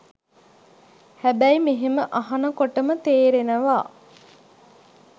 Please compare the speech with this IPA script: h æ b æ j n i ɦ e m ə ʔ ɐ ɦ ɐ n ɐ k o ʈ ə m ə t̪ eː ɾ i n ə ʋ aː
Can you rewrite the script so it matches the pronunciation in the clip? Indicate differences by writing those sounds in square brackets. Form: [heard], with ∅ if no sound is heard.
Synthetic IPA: h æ b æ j [m] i ɦ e m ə ʔ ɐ ɦ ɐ n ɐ k o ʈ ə m ə t̪ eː ɾ [e] n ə ʋ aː